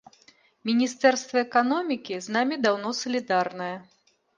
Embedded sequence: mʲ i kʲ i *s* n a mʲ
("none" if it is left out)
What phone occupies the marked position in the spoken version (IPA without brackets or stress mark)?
z